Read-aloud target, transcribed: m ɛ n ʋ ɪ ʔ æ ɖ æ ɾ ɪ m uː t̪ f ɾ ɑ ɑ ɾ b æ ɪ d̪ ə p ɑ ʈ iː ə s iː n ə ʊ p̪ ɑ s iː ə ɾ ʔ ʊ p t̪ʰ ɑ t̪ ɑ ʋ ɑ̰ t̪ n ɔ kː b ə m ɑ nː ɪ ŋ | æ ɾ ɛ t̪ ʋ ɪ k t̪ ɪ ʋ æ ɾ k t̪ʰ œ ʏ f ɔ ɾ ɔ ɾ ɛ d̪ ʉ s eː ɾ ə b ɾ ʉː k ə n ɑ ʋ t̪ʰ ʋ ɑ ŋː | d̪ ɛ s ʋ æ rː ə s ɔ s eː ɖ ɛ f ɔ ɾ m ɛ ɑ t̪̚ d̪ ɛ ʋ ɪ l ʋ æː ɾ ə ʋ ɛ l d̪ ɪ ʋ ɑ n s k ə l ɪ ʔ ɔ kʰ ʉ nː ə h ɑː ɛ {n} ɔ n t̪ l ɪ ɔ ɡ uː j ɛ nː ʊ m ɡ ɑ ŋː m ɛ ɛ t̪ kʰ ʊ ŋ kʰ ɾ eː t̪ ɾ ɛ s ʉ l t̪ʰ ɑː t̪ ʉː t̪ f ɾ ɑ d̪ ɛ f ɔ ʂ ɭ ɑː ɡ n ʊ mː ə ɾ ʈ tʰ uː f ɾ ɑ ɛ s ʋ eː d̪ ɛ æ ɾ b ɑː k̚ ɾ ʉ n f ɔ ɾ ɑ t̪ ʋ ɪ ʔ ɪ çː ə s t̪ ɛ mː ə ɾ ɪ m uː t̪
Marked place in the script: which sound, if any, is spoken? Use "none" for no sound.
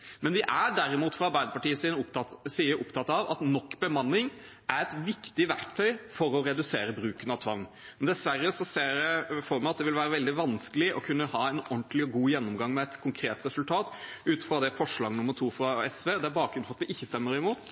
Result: n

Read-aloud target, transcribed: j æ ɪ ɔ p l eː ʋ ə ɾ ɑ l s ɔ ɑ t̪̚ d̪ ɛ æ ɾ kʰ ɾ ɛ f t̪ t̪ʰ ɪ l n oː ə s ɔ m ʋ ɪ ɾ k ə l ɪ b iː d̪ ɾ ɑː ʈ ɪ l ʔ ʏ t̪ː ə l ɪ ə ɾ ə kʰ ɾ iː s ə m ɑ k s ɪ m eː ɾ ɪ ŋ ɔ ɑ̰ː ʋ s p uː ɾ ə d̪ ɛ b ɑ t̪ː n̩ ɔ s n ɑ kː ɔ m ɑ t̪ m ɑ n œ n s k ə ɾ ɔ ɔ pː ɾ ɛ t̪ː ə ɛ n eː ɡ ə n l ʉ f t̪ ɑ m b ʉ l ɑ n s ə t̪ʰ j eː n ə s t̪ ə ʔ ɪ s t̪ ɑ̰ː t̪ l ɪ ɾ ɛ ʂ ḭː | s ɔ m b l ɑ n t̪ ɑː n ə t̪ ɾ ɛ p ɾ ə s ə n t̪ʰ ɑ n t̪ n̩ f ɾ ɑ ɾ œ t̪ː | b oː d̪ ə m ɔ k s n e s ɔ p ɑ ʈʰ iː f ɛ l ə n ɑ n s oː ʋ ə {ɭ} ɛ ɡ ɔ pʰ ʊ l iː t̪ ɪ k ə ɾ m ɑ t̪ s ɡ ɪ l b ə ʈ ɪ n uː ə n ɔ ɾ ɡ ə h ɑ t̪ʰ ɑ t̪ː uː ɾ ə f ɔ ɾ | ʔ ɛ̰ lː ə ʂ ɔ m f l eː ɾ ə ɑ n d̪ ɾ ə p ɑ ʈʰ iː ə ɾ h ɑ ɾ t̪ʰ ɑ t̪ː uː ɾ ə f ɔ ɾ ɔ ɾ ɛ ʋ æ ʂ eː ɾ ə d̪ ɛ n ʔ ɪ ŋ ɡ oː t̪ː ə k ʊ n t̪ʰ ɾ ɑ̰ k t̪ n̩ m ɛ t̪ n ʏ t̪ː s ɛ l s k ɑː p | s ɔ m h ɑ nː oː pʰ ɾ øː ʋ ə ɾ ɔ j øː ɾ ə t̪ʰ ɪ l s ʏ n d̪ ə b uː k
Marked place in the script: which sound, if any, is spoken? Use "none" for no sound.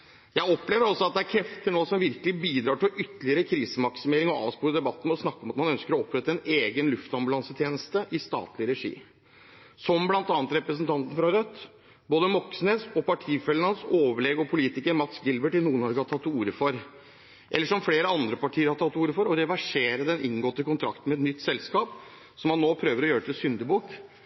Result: ɭ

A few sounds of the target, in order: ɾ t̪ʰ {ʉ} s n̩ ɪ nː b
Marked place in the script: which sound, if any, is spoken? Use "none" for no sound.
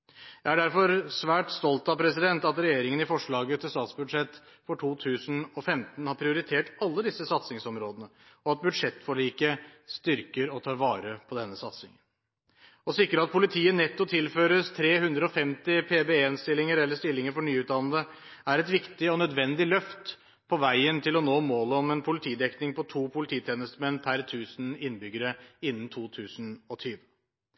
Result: ʉː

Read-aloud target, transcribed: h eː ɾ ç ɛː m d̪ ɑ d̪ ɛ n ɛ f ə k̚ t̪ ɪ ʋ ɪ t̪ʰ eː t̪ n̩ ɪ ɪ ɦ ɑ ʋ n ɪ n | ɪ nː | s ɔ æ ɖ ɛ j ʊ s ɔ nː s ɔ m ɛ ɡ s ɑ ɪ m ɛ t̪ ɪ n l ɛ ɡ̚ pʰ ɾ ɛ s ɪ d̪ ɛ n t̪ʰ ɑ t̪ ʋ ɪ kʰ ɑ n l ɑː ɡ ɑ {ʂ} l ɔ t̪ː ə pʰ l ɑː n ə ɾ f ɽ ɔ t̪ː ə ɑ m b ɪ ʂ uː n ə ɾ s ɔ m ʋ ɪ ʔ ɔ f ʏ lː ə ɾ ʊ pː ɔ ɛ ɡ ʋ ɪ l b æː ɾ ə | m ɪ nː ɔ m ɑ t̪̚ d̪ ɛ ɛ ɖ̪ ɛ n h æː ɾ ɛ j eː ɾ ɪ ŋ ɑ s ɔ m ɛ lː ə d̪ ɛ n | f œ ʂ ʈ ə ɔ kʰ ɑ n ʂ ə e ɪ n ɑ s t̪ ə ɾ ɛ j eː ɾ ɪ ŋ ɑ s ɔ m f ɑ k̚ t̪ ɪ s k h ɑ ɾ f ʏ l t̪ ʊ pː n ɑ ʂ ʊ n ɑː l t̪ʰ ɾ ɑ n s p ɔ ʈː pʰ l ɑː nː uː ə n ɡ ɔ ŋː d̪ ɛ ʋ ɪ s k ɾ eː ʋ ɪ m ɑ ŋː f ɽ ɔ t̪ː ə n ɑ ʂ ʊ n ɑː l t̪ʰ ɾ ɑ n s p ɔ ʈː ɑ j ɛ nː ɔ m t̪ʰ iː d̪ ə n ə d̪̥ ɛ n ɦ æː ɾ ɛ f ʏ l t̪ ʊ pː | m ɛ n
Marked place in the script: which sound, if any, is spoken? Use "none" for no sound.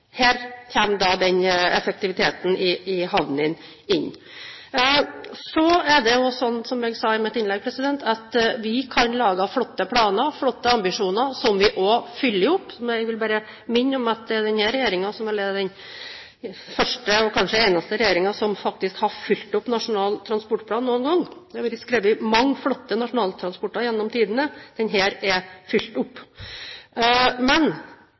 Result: f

